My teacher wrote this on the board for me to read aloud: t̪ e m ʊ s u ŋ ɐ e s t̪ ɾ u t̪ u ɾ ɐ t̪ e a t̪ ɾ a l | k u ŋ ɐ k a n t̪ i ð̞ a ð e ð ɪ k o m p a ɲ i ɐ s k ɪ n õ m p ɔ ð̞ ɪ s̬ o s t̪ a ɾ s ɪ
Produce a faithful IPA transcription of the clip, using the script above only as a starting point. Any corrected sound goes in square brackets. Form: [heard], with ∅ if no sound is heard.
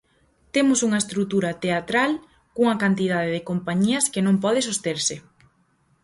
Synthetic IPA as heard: t̪ e m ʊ s u ŋ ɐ e s t̪ ɾ u t̪ u ɾ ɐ t̪ e a t̪ ɾ a l | k u ŋ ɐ k a n t̪ i ð̞ a ð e ð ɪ k o m p a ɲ i ɐ s k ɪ n õ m p ɔ ð̞ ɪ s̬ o s t̪ [e] ɾ s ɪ